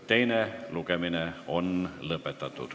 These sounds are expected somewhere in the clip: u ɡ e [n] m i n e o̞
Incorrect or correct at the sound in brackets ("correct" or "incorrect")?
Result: incorrect